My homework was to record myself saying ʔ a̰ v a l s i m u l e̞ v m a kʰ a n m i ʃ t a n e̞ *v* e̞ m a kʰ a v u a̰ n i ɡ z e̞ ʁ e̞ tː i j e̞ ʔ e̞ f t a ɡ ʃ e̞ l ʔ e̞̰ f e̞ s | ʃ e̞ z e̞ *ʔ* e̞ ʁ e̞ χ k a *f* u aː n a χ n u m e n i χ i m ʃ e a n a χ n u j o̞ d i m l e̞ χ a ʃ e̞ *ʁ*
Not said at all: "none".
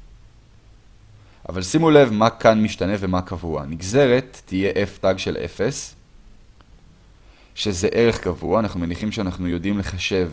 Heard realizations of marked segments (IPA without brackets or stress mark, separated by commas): v, ʔ, v, v